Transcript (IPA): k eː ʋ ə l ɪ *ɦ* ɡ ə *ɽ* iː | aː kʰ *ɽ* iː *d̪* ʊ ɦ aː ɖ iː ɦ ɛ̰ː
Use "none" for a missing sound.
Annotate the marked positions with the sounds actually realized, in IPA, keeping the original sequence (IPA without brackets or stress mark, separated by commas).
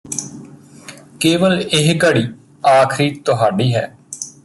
ɦ, ɽ, ɾ, t̪